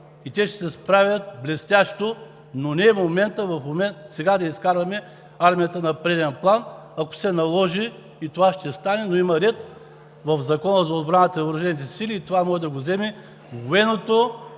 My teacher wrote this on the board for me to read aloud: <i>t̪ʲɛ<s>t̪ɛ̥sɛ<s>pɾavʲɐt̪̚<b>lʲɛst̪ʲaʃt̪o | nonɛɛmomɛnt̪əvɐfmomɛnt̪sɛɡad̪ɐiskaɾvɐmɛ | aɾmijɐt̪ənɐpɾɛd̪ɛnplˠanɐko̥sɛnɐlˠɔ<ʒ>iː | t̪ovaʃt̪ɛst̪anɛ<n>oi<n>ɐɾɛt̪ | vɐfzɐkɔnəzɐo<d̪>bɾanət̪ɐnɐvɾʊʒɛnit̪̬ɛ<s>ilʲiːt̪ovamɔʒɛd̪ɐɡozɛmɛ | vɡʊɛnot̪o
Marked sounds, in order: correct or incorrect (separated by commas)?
correct, incorrect, correct, correct, correct, correct, incorrect, correct, correct